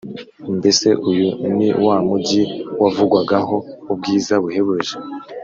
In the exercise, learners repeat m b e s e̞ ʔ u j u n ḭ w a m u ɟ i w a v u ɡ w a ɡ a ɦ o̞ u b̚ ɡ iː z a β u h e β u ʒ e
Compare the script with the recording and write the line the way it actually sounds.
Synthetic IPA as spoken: m b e s e̞ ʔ u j u n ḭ w a m u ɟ i w a v u ɡ w a ɡ a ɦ o̞ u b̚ ɡ iː z a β u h e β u ʒ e